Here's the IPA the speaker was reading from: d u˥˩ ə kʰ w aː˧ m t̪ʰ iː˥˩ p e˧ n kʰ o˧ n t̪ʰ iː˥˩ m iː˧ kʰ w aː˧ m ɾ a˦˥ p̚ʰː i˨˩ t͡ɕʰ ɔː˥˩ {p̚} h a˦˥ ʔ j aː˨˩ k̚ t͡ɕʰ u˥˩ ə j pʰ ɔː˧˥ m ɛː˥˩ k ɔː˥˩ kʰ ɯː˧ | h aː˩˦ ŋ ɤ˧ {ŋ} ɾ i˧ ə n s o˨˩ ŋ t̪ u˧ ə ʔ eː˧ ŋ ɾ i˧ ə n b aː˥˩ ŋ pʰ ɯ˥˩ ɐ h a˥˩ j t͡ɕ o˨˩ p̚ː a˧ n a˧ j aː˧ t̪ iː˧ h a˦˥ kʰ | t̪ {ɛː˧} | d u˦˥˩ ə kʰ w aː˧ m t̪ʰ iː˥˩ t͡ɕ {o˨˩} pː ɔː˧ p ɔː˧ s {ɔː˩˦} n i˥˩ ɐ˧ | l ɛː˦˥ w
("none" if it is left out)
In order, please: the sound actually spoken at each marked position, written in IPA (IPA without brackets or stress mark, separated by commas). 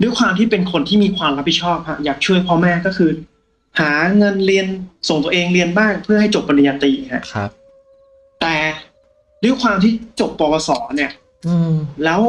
p̚, n, ɛː˨˩, o˨˩, ɔː˩˦